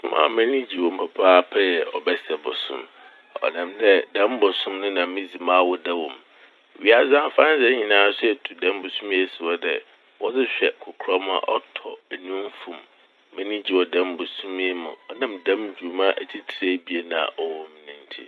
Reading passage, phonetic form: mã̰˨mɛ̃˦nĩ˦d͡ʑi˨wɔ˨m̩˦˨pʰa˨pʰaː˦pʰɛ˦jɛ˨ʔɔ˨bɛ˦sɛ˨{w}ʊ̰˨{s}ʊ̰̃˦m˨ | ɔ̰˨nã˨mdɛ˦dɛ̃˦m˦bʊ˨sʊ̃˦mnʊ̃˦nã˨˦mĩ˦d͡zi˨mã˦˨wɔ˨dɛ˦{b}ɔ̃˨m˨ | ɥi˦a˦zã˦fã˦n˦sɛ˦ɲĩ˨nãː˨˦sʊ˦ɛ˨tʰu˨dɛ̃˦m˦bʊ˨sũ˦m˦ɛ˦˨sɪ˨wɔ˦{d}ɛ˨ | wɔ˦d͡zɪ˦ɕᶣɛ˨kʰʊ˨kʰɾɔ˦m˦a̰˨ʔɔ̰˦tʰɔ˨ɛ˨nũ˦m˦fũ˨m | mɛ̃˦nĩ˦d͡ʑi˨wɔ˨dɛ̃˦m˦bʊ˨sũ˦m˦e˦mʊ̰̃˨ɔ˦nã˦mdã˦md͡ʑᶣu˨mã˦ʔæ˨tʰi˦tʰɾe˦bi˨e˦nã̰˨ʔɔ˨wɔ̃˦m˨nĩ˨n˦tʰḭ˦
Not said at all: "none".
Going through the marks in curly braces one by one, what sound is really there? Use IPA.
b, s, w, d

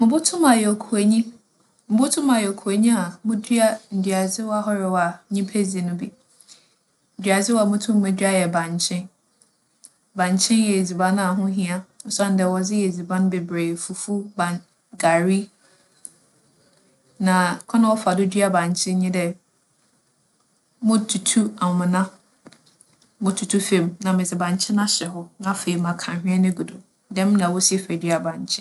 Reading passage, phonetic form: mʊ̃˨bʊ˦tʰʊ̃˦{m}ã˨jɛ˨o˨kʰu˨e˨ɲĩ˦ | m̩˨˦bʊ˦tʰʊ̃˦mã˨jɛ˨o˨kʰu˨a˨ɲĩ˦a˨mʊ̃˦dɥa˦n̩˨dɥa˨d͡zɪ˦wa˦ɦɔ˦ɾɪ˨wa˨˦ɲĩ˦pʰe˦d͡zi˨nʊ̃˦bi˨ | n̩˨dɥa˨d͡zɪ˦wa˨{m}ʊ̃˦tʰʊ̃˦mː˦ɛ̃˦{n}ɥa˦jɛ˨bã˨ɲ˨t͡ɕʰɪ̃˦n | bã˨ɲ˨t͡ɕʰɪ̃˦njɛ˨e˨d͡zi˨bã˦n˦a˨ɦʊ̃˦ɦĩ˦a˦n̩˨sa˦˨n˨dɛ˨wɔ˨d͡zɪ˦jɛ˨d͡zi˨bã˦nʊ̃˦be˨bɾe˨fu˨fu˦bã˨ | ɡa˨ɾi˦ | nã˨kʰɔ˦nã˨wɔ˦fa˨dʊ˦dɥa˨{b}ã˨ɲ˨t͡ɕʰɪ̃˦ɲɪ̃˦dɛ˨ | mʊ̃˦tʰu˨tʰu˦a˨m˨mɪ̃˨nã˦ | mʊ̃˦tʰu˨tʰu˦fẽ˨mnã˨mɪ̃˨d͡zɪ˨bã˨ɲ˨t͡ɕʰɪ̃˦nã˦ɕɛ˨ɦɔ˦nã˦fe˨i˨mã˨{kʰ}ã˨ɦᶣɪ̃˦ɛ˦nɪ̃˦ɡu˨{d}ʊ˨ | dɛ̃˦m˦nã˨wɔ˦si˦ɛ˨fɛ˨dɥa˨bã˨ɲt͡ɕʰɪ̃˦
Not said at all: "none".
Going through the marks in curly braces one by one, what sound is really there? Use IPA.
m, m, d, b, kʰ, d

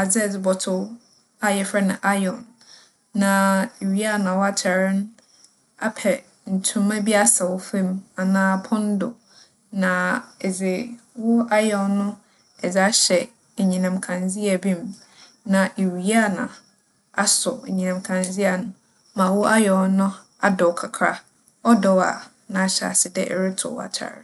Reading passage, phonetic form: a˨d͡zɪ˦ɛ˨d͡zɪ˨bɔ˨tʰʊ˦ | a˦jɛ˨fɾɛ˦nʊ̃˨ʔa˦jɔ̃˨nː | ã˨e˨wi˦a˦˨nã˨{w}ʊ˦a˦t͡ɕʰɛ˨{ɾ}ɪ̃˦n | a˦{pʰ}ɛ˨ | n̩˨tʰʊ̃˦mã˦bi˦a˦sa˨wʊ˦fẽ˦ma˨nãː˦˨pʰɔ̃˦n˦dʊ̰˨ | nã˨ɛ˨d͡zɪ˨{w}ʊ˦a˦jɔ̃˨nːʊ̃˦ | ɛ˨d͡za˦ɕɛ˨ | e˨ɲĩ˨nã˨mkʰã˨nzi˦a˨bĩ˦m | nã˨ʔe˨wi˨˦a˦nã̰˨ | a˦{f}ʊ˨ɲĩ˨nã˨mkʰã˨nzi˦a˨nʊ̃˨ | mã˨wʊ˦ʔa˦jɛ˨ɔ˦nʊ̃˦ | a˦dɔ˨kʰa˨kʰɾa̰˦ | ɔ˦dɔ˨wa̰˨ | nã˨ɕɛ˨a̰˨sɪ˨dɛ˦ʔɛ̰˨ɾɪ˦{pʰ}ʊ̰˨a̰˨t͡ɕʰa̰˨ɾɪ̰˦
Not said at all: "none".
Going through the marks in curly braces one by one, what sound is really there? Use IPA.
w, ɾ, pʰ, w, s, tʰ

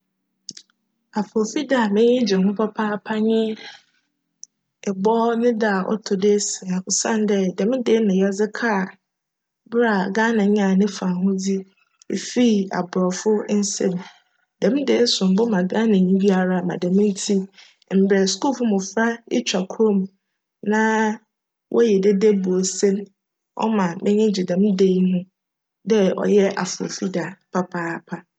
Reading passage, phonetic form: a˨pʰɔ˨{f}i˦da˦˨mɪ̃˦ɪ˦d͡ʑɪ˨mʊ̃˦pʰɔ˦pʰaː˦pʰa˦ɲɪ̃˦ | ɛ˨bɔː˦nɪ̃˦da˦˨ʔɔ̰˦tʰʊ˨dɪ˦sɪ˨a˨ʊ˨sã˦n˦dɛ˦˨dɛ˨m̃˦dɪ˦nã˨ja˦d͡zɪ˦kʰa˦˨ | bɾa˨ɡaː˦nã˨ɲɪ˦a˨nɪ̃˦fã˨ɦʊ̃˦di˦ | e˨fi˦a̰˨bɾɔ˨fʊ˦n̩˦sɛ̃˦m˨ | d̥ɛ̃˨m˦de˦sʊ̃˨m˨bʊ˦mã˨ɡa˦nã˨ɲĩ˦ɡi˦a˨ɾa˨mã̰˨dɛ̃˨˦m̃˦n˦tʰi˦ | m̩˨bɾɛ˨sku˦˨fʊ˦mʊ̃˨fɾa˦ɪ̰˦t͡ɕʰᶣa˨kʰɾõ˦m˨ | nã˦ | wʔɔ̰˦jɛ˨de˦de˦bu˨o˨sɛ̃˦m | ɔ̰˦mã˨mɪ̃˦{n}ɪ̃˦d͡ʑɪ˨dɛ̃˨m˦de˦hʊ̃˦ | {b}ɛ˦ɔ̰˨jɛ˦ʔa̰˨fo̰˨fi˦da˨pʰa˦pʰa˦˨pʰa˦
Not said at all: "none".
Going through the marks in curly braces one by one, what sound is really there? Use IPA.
f, ɲ, d

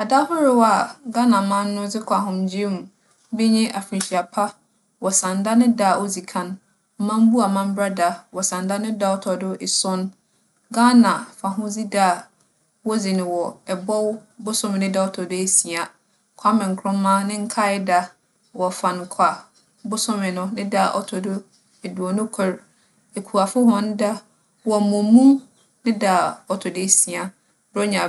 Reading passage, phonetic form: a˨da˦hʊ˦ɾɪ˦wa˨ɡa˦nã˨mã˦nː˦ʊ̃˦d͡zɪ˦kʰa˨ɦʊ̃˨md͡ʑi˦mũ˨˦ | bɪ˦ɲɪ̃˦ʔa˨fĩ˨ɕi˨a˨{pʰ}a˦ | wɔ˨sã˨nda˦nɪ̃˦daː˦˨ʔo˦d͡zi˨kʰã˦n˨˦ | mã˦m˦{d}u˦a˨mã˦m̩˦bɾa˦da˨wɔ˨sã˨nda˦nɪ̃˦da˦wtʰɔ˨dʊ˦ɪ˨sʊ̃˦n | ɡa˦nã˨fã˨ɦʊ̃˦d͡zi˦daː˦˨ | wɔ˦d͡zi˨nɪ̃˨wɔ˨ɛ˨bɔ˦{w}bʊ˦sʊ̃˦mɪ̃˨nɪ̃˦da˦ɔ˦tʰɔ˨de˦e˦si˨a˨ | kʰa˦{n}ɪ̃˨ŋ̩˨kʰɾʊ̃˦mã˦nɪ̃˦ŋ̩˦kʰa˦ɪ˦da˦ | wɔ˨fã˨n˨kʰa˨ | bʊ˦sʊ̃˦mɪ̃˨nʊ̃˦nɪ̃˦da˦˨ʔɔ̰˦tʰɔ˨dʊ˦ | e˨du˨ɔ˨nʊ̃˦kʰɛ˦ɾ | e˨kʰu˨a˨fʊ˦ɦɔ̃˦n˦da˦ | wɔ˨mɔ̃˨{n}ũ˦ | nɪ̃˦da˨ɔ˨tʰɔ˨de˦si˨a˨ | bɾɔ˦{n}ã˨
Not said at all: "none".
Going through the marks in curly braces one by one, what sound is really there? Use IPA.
pʰ, b, w, m, m, ɲ

